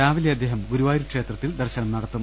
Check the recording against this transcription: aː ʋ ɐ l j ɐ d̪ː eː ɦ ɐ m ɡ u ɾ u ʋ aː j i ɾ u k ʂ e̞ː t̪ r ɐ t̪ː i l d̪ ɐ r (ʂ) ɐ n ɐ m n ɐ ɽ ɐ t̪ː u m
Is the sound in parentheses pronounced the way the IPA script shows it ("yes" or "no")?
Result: no